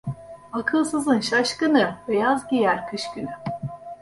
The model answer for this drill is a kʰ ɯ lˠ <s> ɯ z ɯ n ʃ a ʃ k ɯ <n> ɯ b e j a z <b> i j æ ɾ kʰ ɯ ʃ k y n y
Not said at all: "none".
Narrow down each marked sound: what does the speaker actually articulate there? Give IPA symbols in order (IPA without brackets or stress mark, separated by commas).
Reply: s, n, ɟ